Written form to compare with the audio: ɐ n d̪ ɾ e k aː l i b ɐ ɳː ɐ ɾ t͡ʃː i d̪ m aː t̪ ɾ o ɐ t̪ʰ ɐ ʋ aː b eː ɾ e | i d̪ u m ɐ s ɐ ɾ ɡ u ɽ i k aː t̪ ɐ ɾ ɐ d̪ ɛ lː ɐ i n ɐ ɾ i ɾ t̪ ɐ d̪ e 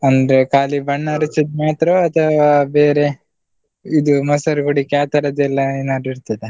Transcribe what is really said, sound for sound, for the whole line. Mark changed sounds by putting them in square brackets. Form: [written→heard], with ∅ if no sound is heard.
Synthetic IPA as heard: ɐ n d̪ ɾ e k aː l i b ɐ ɳː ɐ ɾ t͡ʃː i d̪ m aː t̪ ɾ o ɐ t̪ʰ ɐ ʋ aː b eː ɾ e | i d̪ u m ɐ s ɐ ɾ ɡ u ɽ i k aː t̪ ɐ ɾ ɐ d̪ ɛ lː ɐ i n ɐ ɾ i ɾ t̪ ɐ d̪ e